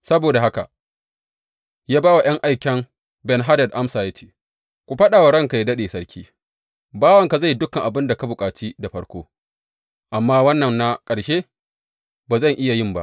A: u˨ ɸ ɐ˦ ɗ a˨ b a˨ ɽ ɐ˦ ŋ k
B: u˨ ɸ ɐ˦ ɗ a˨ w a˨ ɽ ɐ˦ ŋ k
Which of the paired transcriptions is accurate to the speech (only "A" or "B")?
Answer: B